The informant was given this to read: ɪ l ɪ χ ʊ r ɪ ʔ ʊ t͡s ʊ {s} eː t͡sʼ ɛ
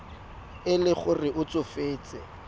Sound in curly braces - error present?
yes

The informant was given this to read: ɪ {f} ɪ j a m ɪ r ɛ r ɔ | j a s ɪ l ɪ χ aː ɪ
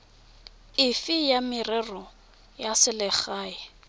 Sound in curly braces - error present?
no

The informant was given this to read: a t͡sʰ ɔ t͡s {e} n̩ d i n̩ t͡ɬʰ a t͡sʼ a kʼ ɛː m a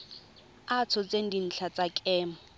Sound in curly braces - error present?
no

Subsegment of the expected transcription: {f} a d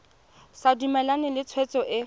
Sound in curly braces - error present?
yes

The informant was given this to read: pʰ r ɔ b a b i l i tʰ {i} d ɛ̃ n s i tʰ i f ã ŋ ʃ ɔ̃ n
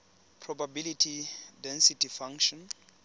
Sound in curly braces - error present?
no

